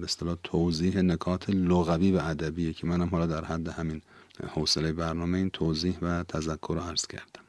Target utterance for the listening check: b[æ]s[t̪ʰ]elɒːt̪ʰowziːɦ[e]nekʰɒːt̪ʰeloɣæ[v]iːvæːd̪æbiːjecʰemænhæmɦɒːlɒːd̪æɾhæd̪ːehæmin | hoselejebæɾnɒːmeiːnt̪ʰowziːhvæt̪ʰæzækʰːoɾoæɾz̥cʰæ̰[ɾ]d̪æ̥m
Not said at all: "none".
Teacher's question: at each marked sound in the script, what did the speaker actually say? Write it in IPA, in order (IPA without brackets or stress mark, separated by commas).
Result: e, t̪, e, v, ɾ